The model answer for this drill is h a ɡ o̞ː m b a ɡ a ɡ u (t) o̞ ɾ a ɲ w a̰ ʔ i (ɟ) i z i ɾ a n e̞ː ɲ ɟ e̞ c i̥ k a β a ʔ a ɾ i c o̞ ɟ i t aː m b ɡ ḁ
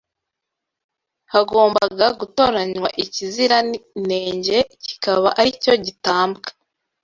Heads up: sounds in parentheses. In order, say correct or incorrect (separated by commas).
correct, incorrect